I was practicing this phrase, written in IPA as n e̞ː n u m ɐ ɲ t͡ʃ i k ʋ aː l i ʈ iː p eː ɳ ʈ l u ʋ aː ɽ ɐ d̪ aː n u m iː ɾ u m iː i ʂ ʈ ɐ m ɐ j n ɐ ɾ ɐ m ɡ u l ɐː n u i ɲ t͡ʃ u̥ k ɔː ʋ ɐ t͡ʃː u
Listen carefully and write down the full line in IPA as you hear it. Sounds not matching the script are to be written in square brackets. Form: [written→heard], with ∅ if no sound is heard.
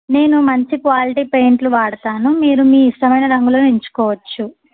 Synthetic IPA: n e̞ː n u m ɐ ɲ t͡ʃ i k ʋ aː l i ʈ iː p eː ɳ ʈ l u ʋ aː ɽ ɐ [d̪→t̪] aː n u m iː ɾ u m iː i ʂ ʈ ɐ m ɐ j n ɐ ɾ ɐ [m→ŋ] ɡ u l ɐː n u i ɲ t͡ʃ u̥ k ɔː ʋ ɐ t͡ʃː u

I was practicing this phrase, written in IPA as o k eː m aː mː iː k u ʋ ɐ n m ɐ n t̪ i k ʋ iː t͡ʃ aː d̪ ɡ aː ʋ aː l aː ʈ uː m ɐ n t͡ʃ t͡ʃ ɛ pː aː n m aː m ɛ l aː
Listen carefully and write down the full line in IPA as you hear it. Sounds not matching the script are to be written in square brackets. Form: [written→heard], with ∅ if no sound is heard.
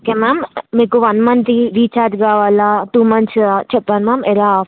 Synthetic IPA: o k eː m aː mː iː k u ʋ ɐ n m ɐ n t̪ i [k→∅] ʋ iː t͡ʃ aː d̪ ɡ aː ʋ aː l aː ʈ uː m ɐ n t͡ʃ t͡ʃ ɛ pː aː n m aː m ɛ l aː

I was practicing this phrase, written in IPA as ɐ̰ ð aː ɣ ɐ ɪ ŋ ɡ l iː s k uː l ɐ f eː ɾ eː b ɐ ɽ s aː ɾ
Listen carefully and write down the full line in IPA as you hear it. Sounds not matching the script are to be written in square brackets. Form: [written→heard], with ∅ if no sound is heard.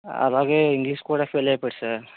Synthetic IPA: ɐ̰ ð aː ɣ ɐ ɪ ŋ ɡ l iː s k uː [l→ɽ] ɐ f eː [ɾ→l] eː [b→p] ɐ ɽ s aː ɾ

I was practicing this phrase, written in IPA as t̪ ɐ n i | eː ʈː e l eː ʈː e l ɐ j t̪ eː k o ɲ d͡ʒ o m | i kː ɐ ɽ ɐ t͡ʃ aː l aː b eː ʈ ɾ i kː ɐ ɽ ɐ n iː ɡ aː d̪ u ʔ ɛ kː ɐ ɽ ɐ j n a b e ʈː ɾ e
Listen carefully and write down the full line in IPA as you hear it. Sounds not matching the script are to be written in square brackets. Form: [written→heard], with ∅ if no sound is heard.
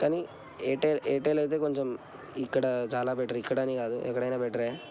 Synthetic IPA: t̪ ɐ n i | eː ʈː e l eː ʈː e l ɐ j t̪ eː k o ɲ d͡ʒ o m | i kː ɐ ɽ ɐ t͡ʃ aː l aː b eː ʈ ɾ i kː ɐ ɽ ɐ n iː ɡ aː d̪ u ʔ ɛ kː ɐ ɽ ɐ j n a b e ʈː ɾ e

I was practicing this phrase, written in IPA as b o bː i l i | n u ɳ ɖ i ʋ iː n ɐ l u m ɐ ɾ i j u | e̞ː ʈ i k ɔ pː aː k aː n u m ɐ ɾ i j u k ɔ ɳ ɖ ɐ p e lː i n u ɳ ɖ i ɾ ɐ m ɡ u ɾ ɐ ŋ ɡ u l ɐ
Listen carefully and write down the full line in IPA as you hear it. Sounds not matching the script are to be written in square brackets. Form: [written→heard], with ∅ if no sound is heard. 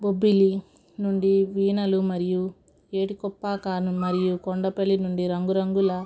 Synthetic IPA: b o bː i l i | n u ɳ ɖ i ʋ iː n ɐ l u m ɐ ɾ i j u | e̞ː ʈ i k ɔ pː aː k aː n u m ɐ ɾ i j u k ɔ ɳ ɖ ɐ p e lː i n u ɳ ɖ i ɾ ɐ [m→ŋ] ɡ u ɾ ɐ ŋ ɡ u l ɐ

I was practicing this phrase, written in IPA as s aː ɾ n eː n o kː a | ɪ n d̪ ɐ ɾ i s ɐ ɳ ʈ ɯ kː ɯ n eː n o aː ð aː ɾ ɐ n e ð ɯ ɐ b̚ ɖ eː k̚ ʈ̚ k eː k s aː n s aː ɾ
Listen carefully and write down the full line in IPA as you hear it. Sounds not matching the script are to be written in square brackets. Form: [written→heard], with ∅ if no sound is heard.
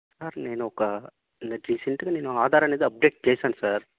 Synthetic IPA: s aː ɾ n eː n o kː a | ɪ n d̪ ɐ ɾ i s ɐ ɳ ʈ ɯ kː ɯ n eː n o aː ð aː ɾ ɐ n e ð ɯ ɐ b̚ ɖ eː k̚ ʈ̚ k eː [k→∅] s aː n s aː ɾ

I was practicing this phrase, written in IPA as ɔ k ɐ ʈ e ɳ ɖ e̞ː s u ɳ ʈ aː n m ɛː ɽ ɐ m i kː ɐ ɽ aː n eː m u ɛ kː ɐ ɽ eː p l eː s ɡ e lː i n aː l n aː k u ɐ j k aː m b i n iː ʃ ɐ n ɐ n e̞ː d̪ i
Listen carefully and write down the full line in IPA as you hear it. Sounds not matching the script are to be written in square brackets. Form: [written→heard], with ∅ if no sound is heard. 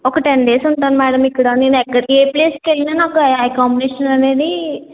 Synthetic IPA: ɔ k ɐ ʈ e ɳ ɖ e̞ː s u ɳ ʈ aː n m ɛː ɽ ɐ m i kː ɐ ɽ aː n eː [m→n] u ɛ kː ɐ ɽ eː p l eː s [ɡ→k] e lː i n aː [l→∅] n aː k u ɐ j k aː m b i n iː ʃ ɐ n ɐ n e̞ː d̪ i

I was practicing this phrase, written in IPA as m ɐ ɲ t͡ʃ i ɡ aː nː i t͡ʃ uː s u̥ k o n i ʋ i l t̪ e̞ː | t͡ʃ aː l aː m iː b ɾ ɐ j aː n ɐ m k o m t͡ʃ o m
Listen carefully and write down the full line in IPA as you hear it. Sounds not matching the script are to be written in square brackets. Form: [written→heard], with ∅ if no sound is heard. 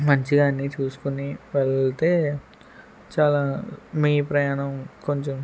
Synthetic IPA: m ɐ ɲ t͡ʃ i ɡ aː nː i t͡ʃ uː s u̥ k [o→u] n i ʋ [i→e] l t̪ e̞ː | t͡ʃ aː l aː m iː [b→p] ɾ ɐ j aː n ɐ m k o [m→ɲ] t͡ʃ o m

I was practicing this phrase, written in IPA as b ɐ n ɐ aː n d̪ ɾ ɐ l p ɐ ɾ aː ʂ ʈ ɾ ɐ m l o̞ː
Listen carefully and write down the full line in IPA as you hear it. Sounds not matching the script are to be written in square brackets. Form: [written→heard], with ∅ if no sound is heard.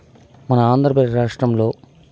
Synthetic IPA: [b→m] ɐ n ɐ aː n d̪ ɾ ɐ [l→∅] p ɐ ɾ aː ʂ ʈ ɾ ɐ m l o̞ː

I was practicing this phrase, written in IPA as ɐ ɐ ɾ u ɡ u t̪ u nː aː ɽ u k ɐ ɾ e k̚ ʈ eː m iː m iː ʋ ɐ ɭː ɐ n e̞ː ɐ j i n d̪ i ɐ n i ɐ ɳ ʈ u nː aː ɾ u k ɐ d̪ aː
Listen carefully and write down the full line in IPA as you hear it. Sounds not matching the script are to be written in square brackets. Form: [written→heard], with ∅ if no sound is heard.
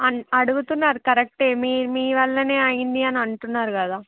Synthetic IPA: ɐ ɐ [ɾ→ɽ] u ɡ u t̪ u nː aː [ɽ→ɾ] u k ɐ ɾ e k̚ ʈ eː m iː m iː ʋ ɐ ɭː ɐ n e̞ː ɐ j i n d̪ i ɐ n i ɐ ɳ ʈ u nː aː ɾ u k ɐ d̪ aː

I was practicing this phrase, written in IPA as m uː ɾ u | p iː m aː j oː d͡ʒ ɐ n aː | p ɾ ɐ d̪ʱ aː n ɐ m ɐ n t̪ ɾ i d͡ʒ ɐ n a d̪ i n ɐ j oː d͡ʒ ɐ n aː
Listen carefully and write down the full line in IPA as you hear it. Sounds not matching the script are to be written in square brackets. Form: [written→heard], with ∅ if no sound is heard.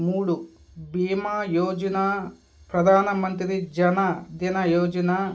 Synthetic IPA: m uː [ɾ→ɽ] u | [p→b] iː m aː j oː d͡ʒ ɐ n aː | p ɾ ɐ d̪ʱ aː n ɐ m ɐ n t̪ ɾ i d͡ʒ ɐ n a d̪ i n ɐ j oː d͡ʒ ɐ n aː

